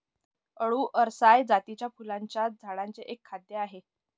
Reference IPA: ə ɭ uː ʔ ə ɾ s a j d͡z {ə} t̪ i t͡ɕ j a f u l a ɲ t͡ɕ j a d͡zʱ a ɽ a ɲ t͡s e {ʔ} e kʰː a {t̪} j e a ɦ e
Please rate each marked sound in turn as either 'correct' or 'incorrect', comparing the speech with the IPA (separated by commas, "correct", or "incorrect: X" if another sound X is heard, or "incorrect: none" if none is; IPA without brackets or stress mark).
incorrect: a, correct, incorrect: d̪